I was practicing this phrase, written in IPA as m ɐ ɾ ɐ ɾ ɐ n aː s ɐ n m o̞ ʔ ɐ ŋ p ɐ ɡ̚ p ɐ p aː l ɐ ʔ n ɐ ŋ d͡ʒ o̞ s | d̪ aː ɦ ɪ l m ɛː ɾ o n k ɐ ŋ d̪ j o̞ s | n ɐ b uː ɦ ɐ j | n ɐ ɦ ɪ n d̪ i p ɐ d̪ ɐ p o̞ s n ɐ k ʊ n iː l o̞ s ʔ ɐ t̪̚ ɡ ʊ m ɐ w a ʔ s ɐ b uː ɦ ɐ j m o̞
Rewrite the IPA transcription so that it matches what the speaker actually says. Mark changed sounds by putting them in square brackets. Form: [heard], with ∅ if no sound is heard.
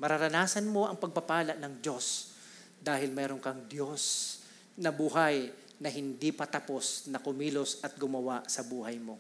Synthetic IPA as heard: m ɐ ɾ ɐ ɾ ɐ n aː s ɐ n m o̞ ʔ ɐ ŋ p ɐ ɡ̚ p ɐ p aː l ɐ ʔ n ɐ ŋ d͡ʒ o̞ s | d̪ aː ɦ ɪ l m ɛː ɾ o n k ɐ ŋ d̪ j o̞ s | n ɐ b uː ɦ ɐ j | n ɐ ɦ ɪ n d̪ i p ɐ [t̪] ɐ p o̞ s n ɐ k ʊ [m] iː l o̞ s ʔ ɐ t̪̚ ɡ ʊ m ɐ w a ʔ s ɐ b uː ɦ ɐ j m o̞